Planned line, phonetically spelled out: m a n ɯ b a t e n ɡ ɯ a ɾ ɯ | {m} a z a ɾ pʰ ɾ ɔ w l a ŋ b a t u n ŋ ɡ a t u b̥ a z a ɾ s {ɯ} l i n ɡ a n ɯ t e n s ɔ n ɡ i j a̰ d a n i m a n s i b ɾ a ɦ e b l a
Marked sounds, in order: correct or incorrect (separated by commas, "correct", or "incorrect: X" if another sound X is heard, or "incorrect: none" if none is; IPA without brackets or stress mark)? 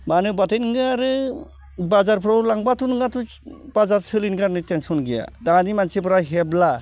incorrect: b, correct